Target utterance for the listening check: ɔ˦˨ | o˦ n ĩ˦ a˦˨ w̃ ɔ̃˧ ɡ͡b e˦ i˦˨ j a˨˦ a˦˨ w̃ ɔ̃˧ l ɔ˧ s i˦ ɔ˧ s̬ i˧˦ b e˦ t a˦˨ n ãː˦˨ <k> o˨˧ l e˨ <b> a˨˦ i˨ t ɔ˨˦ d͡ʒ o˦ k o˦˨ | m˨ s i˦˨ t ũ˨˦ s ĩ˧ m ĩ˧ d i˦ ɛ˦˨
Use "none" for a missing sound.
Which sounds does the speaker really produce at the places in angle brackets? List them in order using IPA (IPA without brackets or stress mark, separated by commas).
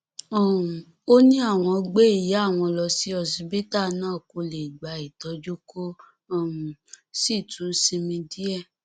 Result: k, ɡ͡b